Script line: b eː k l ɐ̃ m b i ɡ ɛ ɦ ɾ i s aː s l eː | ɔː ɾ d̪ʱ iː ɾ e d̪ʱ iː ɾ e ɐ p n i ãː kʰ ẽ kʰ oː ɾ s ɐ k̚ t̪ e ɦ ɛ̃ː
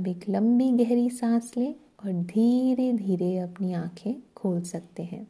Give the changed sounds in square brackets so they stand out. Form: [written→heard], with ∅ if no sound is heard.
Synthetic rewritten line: b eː k l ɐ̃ m b i ɡ ɛ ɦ ɾ i s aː s l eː | ɔː ɾ d̪ʱ iː ɾ e d̪ʱ iː ɾ e ɐ p n i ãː kʰ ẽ kʰ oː [ɾ→l] s ɐ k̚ t̪ e ɦ ɛ̃ː